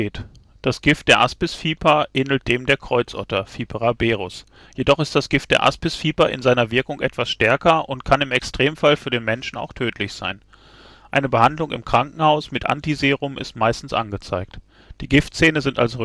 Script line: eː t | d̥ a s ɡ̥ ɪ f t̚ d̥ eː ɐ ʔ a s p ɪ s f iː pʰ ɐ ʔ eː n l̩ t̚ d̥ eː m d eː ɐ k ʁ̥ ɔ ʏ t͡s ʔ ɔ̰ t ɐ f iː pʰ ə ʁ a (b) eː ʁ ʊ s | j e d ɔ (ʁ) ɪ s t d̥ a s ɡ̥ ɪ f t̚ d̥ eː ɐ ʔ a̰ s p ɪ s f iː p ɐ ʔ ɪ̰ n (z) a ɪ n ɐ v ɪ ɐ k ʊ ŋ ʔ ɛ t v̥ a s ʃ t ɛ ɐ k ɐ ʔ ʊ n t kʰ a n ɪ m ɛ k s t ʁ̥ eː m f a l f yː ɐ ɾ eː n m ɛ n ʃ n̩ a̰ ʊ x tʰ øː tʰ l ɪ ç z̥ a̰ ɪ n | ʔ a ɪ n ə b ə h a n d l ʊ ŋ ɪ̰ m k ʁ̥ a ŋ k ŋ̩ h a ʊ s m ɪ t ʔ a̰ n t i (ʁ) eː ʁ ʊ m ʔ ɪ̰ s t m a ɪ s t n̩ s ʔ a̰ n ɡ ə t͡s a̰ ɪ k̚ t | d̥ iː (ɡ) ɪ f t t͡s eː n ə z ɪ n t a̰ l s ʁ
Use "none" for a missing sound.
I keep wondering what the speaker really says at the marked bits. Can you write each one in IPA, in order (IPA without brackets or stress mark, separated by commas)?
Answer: b, χ, z, z, ɡ